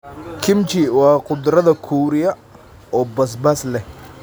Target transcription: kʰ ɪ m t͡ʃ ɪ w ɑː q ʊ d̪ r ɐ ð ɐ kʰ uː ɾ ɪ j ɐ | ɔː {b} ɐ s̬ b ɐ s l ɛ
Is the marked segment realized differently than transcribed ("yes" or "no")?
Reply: no